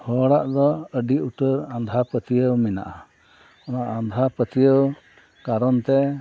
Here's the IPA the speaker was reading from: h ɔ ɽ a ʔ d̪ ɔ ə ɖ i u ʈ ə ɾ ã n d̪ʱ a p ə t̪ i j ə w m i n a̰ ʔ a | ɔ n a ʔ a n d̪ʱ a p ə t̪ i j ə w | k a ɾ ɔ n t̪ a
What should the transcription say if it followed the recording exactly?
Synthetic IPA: h ɔ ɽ a ʔ d̪ ɔ ə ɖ i u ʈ ə ɾ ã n d̪ʱ a p ə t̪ i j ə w m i n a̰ ʔ a | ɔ n a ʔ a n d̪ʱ a p ə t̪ i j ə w | k a ɾ ɔ n t̪ ɛ